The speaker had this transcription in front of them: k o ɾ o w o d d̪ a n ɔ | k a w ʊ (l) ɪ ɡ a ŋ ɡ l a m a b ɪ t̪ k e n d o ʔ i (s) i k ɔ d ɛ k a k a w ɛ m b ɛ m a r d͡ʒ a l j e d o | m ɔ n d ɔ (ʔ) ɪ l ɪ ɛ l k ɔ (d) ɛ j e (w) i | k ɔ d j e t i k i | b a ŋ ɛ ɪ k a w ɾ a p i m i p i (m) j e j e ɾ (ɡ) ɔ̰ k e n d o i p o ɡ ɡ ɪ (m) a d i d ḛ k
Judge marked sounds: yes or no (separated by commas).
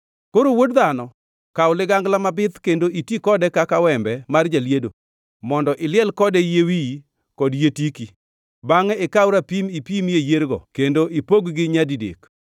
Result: yes, no, yes, yes, yes, yes, yes, no